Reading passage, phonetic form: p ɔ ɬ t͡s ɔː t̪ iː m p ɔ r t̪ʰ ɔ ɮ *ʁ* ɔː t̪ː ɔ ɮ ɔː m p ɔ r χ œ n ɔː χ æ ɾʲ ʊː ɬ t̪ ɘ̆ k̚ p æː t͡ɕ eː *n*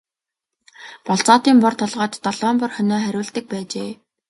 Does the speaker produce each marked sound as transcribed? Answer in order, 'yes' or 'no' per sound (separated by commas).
yes, no